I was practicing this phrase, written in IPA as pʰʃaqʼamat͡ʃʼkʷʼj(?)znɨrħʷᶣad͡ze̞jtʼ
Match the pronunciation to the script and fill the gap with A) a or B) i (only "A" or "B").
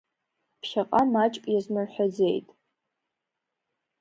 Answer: A